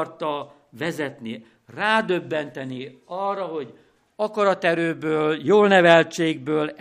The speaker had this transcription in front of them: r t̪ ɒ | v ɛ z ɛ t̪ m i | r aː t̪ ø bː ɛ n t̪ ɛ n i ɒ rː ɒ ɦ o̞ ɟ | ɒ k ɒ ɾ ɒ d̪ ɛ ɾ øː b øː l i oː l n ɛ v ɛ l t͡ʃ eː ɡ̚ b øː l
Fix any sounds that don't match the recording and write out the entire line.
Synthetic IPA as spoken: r t̪ ɒ | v ɛ z ɛ t̪ n i | r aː d̪ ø bː ɛ n t̪ ɛ n i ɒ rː ɒ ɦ o̞ ɟ | ɒ k ɒ ɾ ɒ t̪ ɛ ɾ øː b øː l j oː l n ɛ v ɛ l t͡ʃ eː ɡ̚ b øː l